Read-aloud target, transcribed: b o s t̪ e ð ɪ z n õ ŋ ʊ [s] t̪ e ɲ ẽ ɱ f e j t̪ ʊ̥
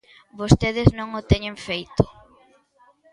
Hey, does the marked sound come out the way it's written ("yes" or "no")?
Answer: no